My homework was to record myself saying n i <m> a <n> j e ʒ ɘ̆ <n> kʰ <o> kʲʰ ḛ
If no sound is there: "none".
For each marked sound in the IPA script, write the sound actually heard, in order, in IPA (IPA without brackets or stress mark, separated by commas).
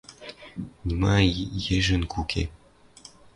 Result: m, none, n, u